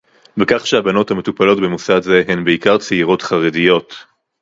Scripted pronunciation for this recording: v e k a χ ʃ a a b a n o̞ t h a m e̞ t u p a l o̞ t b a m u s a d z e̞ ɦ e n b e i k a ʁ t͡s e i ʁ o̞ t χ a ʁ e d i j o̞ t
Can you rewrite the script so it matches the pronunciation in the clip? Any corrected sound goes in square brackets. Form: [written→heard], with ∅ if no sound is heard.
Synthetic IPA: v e k a χ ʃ [a→e] a b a n o̞ t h a m e̞ t u p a l o̞ t b [a→e] m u s a d z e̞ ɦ e n b e i k a ʁ t͡s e i ʁ o̞ t χ a ʁ e d i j o̞ t